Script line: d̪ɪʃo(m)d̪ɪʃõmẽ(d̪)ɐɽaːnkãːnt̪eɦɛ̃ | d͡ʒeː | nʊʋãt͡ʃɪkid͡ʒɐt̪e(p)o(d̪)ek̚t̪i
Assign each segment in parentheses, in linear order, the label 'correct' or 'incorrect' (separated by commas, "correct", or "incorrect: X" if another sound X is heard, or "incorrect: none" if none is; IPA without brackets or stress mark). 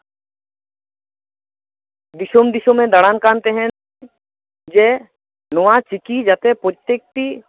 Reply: correct, correct, correct, incorrect: t̪